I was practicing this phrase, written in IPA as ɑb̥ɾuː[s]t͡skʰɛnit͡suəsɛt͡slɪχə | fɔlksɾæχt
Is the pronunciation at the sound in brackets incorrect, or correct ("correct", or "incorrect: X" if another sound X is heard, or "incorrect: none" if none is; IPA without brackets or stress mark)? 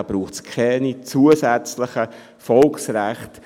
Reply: incorrect: χ